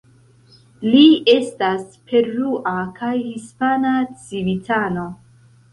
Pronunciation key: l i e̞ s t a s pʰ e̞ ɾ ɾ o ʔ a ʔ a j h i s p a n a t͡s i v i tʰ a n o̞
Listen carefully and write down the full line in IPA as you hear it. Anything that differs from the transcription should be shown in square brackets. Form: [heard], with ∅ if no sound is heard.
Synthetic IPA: l i e̞ s t a s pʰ e̞ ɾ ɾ [u] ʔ a [k] a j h i s p a n a t͡s i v i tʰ a n o̞